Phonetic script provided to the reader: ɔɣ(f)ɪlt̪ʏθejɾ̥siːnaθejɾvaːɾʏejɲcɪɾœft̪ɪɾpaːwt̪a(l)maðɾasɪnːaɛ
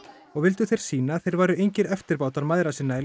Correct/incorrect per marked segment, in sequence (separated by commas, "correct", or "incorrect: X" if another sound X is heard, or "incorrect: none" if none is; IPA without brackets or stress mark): incorrect: v, incorrect: ɾ